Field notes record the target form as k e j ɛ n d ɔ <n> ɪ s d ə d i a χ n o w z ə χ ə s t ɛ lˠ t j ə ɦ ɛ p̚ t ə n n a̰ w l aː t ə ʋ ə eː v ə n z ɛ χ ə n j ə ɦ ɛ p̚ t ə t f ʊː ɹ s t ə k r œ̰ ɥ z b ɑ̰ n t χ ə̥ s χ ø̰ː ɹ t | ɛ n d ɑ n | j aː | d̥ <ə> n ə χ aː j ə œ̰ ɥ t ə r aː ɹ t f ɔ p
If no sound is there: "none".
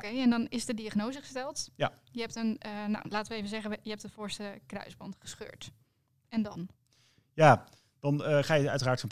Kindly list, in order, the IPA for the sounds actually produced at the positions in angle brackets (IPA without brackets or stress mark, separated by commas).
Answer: n, ɑ